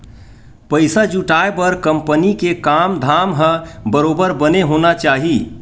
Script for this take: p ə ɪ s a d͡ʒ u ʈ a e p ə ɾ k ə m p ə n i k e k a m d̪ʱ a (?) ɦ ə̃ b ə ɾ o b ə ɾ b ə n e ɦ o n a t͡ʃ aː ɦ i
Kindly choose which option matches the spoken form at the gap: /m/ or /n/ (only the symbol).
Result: m